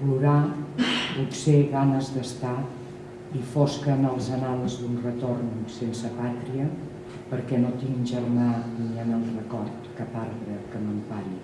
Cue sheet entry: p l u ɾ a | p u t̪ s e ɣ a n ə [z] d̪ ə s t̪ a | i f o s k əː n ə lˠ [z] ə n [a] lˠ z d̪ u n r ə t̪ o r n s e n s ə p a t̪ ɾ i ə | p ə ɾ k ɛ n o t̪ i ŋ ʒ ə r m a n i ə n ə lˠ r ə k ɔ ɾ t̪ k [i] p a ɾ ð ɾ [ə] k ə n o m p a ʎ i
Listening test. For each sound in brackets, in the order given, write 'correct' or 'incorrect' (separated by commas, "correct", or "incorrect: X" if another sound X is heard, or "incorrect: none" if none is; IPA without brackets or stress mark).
correct, correct, correct, incorrect: a, correct